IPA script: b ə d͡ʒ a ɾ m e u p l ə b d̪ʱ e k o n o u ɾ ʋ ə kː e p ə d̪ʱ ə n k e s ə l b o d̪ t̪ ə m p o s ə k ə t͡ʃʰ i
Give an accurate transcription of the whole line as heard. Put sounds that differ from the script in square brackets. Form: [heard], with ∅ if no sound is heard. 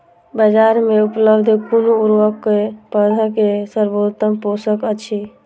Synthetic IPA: b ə d͡ʒ a ɾ m e u p l ə b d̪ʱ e k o n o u ɾ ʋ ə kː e p ə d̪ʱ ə [∅] k e s ə [ɾ] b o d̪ t̪ ə m p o s ə k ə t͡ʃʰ i